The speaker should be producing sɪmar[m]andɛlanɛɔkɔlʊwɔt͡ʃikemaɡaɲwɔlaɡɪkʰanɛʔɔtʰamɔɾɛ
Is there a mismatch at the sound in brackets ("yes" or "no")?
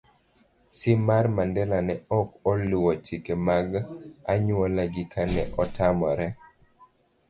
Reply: no